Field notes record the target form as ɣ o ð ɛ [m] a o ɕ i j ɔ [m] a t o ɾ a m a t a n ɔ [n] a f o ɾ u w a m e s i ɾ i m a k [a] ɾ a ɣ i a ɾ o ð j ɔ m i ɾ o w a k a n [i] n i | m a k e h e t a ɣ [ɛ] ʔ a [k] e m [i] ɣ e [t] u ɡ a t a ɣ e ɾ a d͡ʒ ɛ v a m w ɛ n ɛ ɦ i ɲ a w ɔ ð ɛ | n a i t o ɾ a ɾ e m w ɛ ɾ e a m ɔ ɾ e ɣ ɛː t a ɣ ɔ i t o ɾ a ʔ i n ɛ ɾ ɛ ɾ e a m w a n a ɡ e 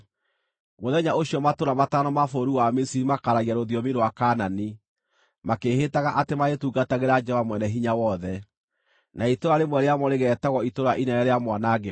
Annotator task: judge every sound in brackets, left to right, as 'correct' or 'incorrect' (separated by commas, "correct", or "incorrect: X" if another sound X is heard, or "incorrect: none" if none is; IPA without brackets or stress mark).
incorrect: ɲ, correct, incorrect: m, correct, incorrect: a, incorrect: a, incorrect: t, incorrect: a, correct